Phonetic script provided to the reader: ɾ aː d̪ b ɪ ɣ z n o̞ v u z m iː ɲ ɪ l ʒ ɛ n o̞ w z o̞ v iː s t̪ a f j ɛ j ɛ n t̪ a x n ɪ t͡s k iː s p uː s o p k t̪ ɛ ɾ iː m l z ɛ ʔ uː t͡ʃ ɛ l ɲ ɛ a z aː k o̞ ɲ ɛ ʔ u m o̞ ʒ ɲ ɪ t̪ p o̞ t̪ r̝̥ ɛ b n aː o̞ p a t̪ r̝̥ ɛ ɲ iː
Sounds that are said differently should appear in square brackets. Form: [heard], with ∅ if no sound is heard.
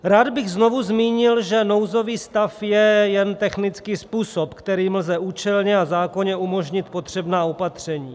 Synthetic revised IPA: ɾ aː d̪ b ɪ ɣ z n o̞ v u z m iː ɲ ɪ l ʒ ɛ n o̞ w z o̞ v iː s t̪ a f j ɛ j ɛ n t̪ [ɛ] x n ɪ t͡s k iː s p uː s o p k t̪ ɛ ɾ iː m l z ɛ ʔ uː t͡ʃ ɛ l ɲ ɛ a z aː k o̞ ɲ ɛ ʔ u m o̞ ʒ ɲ ɪ t̪ p o̞ t̪ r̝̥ ɛ b n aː o̞ p a t̪ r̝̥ ɛ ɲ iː